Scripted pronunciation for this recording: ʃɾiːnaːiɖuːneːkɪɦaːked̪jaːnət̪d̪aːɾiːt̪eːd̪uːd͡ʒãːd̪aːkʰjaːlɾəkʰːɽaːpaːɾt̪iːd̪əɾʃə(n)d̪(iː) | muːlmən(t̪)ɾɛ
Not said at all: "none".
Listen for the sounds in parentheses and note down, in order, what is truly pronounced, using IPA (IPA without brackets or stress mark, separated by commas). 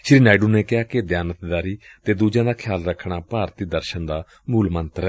n, aː, t̪